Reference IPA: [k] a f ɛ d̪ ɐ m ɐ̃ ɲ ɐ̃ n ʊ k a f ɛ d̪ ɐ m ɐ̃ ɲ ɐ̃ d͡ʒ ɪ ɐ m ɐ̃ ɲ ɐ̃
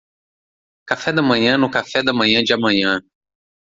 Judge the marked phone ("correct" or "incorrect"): correct